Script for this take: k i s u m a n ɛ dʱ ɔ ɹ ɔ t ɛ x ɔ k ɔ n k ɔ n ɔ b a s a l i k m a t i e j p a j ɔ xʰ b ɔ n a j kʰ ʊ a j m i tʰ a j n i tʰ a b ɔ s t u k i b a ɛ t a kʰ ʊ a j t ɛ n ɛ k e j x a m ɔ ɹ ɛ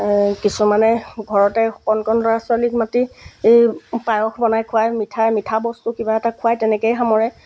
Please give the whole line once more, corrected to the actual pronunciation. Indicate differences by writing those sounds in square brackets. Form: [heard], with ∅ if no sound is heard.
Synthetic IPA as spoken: k i s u m a n ɛ [ɡʱ] ɔ ɹ ɔ t ɛ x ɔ k ɔ n k ɔ n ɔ [∅] a s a l i k m a t i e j p a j ɔ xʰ b ɔ n a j kʰ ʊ a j m i tʰ a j [m] i tʰ a b ɔ s t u k i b a ɛ t a kʰ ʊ a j t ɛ n ɛ k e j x a m ɔ ɹ ɛ

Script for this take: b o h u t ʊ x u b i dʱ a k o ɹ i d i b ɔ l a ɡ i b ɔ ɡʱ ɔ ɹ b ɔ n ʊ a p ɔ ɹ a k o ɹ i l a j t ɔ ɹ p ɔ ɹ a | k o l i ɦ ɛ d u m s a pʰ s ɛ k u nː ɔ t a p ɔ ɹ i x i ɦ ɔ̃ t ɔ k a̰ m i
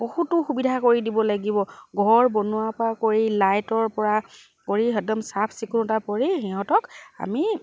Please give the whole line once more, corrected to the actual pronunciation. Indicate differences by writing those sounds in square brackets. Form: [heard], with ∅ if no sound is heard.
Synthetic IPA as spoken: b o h u t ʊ x u b i dʱ a k o ɹ i d i b ɔ l a ɡ i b ɔ ɡʱ ɔ ɹ b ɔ n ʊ a p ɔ ɹ a k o ɹ i l a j t ɔ ɹ p ɔ ɹ a | k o [ɹ] i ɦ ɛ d [ɔ] m s a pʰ s [i] k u [n] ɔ t a p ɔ ɹ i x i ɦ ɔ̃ t ɔ k a̰ m i

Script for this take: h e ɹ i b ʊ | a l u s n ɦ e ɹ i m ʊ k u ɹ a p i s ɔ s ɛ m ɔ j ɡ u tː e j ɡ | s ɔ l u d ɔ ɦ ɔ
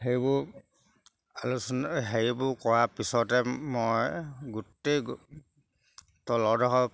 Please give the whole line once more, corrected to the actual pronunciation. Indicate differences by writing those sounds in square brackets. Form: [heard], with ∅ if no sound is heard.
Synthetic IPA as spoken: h e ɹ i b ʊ | a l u s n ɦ e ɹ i [b] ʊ k [ɔ] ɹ a p i s ɔ [t] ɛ m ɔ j ɡ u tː e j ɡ | [t] ɔ l [ɔ] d ɔ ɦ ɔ

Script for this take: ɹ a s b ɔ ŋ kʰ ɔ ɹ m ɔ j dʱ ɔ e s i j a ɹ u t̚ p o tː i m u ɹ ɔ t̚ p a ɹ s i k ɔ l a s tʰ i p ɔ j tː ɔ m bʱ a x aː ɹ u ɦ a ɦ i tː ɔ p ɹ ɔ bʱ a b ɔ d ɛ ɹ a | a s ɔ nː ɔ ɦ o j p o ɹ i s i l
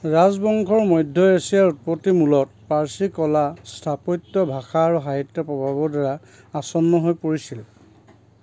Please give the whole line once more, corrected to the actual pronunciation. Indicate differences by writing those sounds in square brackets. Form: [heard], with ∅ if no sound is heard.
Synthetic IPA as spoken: ɹ a [z] b ɔ ŋ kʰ ɔ ɹ m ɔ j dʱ ɔ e s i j a ɹ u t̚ p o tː i m u [l] ɔ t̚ p a ɹ s i k ɔ l a s tʰ [a] p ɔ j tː ɔ [∅] bʱ a x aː ɹ u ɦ a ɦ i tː ɔ p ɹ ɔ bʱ a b ɔ d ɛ ɹ a | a s ɔ nː ɔ ɦ o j p o ɹ i s i l

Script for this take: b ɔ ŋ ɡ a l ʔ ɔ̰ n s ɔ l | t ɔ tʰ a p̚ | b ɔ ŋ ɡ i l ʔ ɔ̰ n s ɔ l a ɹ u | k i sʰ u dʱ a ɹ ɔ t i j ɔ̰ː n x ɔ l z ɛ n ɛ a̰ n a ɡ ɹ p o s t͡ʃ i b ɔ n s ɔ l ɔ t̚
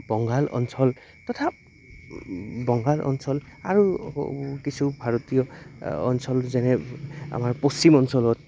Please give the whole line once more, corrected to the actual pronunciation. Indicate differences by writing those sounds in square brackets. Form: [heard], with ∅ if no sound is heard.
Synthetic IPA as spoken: b ɔ ŋ ɡ a l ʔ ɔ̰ n s ɔ l | t ɔ tʰ a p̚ | b ɔ ŋ ɡ [a] l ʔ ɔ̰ n s ɔ l a ɹ u | k i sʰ u [bʱ] a ɹ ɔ t i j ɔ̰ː n [s] ɔ l z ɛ n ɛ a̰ [m] a [∅] ɹ p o s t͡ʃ i [m] ɔ n s ɔ l ɔ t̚

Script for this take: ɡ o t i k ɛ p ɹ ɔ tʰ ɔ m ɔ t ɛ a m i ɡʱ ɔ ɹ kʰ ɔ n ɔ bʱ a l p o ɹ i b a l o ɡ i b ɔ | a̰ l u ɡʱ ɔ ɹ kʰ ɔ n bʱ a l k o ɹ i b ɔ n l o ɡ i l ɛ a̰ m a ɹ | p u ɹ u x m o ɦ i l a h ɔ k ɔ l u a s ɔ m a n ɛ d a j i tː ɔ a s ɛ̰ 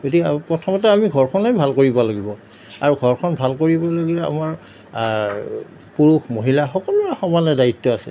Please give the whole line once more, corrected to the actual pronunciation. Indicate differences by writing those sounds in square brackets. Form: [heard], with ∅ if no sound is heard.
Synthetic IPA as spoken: ɡ o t i k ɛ p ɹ ɔ tʰ ɔ m ɔ t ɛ a m i ɡʱ ɔ ɹ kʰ ɔ n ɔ bʱ a l [k] o ɹ i b a l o ɡ i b ɔ | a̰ [ɹ] u ɡʱ ɔ ɹ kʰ ɔ n bʱ a l k o ɹ i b ɔ [∅] l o ɡ i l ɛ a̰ m a ɹ | p u ɹ u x m o ɦ i l a [x] ɔ k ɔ l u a [x] ɔ m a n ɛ d a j i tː ɔ a s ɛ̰

